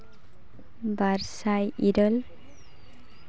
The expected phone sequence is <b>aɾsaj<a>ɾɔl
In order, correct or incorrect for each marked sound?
correct, incorrect

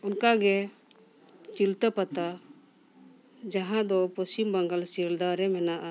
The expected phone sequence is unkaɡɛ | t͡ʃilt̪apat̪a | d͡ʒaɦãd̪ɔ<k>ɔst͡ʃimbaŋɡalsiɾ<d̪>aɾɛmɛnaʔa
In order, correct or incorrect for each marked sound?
incorrect, correct

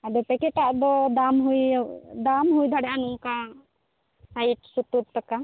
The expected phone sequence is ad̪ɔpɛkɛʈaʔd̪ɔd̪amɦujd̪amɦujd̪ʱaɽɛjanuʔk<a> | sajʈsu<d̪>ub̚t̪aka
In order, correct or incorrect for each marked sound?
correct, incorrect

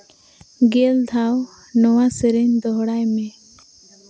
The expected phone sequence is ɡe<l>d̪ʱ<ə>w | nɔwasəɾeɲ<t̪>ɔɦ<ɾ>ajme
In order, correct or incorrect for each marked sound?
correct, incorrect, incorrect, incorrect

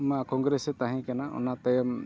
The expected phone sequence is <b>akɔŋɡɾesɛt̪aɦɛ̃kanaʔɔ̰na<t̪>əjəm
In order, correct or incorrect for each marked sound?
incorrect, correct

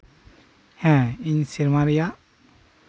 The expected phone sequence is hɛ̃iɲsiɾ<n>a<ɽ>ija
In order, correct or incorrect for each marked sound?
incorrect, incorrect

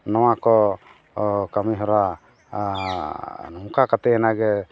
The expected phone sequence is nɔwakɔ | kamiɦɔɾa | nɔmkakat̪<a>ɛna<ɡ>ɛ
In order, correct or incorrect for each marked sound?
incorrect, correct

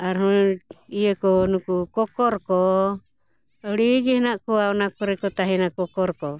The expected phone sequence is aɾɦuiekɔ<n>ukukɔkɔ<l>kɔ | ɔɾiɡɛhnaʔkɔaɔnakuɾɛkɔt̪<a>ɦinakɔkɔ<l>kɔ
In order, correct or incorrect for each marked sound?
correct, incorrect, correct, incorrect

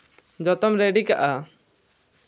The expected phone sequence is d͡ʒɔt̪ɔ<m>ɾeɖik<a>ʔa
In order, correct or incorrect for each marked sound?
correct, correct

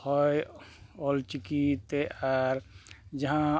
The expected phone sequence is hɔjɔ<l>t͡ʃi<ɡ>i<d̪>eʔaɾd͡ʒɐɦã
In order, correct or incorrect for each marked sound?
correct, incorrect, incorrect

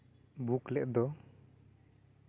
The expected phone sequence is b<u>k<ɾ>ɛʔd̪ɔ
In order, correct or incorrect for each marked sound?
correct, incorrect

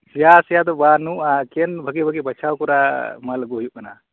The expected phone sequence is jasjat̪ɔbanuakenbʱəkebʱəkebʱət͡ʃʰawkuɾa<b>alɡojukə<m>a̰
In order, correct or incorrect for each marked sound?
incorrect, incorrect

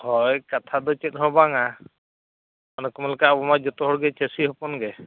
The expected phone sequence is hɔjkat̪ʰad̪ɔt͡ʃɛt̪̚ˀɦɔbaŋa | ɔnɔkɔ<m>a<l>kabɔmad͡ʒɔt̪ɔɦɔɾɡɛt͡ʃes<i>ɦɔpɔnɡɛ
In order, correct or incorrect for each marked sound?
correct, correct, correct

